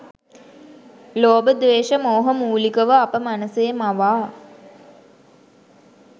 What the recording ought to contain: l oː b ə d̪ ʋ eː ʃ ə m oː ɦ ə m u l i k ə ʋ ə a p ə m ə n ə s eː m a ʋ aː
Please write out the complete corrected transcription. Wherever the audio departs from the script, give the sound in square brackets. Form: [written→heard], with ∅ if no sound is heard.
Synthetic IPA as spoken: l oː b ə d̪ ʋ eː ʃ ə m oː ɦ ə m [u→uː] l i k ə ʋ ə a p ə m [ə→a] n ə s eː m a ʋ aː